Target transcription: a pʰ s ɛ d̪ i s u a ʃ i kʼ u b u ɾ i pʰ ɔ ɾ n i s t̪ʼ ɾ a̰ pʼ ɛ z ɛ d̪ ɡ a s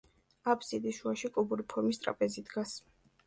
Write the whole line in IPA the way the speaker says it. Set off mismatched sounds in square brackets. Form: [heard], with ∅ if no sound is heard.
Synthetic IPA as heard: a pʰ s [i] d̪ i [ʃ] u a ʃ i kʼ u b u ɾ i pʰ ɔ ɾ [m] i s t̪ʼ ɾ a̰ pʼ ɛ z [i] d̪ ɡ a s